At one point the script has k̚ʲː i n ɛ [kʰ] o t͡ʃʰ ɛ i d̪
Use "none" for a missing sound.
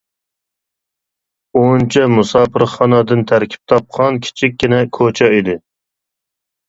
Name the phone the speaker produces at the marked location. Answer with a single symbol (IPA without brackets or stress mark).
kʰ